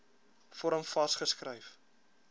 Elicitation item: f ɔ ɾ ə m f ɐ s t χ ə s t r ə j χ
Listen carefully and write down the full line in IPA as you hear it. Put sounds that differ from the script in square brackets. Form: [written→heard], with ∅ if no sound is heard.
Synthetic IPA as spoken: f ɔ ɾ ə m f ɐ s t χ ə s [t→k] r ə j [χ→f]